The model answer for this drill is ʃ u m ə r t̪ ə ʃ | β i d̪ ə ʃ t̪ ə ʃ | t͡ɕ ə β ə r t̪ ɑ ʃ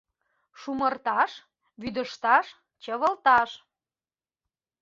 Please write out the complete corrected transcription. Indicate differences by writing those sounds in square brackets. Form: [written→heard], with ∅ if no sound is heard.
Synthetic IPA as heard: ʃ u m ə r t̪ [ə→ɑ] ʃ | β [i→y] d̪ ə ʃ t̪ [ə→ɑ] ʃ | t͡ɕ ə β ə [r→l] t̪ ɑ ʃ